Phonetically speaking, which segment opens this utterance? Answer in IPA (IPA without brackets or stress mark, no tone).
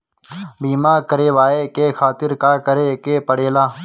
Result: b